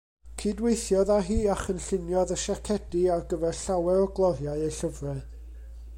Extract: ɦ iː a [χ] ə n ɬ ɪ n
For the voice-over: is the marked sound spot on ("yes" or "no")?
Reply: yes